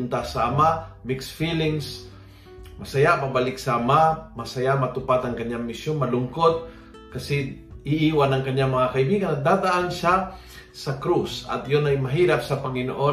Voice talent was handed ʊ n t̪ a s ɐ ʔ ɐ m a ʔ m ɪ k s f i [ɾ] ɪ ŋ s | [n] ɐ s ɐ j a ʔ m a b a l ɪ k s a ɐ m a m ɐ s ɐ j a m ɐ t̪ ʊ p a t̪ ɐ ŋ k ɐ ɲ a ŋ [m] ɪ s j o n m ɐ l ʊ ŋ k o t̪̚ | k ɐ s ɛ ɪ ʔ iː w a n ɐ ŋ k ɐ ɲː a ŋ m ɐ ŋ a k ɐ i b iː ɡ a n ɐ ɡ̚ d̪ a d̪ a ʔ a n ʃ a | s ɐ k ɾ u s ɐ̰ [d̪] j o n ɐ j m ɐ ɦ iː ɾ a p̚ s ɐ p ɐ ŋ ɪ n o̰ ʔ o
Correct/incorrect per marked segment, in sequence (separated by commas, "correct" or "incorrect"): incorrect, incorrect, correct, incorrect